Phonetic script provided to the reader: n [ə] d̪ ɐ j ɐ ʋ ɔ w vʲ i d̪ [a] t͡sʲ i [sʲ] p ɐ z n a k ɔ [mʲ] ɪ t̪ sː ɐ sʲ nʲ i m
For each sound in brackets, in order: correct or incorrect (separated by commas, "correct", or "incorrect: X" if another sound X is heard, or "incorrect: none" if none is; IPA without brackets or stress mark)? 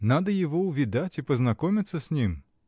incorrect: a, correct, incorrect: none, correct